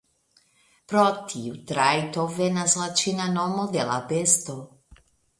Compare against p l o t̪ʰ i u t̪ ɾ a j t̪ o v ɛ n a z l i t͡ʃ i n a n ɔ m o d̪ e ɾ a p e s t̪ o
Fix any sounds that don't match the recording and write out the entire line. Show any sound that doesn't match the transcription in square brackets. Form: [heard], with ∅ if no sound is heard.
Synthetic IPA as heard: p [ɾ] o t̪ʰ i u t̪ ɾ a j t̪ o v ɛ n a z l [a] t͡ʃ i n a n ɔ m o d̪ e [l] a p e s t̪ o